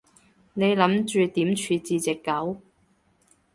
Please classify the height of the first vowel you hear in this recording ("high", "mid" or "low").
mid